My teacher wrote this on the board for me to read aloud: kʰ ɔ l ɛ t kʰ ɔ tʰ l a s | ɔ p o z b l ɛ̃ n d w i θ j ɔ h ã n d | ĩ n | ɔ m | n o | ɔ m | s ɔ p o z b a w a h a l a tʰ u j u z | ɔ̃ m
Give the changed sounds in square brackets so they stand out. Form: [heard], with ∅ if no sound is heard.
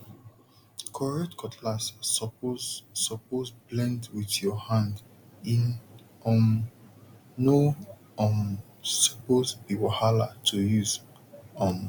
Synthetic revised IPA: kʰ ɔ [ɹ] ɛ t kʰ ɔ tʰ l a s | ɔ p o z b l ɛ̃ n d w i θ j ɔ h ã n d | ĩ n | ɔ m | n o | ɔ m | s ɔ p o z b [i] w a h a l a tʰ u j u z | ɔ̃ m